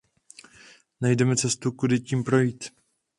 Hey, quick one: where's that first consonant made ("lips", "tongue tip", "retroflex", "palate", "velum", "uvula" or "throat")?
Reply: tongue tip